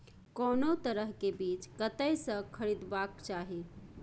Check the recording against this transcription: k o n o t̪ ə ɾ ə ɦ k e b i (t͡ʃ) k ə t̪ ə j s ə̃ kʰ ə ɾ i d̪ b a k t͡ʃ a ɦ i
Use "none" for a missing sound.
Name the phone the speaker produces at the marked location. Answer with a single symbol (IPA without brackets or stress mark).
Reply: t͡ʃ